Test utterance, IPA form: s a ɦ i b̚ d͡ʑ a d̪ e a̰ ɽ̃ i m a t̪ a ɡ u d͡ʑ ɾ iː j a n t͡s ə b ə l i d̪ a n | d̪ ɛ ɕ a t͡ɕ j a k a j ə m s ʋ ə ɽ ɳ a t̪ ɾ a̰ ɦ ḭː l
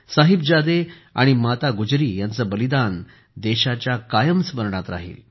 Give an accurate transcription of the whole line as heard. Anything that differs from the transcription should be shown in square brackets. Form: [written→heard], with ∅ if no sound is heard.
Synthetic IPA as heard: s a ɦ i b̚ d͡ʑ a d̪ e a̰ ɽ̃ i m a t̪ a ɡ u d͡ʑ ɾ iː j a n t͡s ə b ə l i d̪ a n | d̪ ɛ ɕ a t͡ɕ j a k a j ə m s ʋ ə [ɽ→ɾ] ɳ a t̪ ɾ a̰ ɦ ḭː l

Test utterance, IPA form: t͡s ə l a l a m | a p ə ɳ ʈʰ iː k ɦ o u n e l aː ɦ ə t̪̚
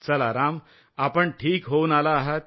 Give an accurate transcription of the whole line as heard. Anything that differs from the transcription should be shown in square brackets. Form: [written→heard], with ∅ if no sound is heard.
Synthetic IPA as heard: t͡s ə l a [l→ɾ] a m | a p ə ɳ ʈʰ iː k ɦ o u n [e→a] l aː ɦ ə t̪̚

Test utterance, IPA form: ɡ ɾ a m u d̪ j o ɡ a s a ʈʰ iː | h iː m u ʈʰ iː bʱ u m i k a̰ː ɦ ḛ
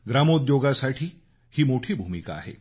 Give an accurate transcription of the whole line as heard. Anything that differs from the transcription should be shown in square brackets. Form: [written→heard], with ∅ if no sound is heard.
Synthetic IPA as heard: ɡ ɾ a m [u→o] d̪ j o ɡ a s a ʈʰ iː | h iː m [u→o] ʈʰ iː bʱ u m i k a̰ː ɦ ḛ

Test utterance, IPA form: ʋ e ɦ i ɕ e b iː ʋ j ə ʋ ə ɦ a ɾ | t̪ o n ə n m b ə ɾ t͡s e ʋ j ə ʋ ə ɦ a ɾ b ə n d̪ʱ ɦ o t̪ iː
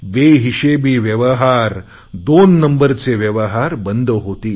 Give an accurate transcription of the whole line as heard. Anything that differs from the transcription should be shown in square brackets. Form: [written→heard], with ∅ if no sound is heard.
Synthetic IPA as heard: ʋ e ɦ i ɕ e b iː ʋ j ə ʋ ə ɦ a ɾ | [t̪→d̪] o [n→nː] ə [n→∅] m b ə ɾ t͡s e ʋ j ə ʋ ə ɦ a ɾ b ə n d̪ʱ ɦ o t̪ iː

